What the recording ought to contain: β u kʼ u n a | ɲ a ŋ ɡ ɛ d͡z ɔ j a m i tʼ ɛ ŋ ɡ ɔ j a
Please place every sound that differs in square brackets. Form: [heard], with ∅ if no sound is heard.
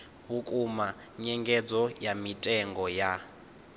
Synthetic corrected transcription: β u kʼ u [m] a | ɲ [ɛ] ŋ ɡ ɛ d͡z ɔ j a m i tʼ ɛ ŋ ɡ ɔ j a